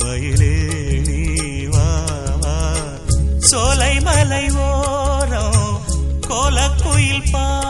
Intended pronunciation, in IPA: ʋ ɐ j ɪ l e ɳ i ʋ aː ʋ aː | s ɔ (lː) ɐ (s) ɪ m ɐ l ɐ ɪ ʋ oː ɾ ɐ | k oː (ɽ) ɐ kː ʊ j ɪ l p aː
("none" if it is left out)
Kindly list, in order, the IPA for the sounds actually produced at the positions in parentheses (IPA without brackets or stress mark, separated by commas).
l, none, l